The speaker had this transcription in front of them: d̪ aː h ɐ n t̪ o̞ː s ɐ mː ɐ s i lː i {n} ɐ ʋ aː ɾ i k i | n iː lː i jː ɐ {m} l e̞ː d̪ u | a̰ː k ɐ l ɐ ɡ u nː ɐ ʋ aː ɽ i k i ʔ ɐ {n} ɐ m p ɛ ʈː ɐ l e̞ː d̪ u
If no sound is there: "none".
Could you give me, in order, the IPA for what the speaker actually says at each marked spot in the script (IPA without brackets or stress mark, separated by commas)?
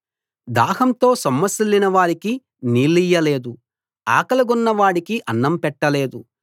n, none, nː